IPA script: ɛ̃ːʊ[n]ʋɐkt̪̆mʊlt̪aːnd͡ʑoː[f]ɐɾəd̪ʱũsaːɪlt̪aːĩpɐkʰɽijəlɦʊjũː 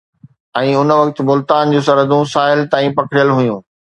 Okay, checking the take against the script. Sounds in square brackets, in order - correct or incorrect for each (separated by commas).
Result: correct, incorrect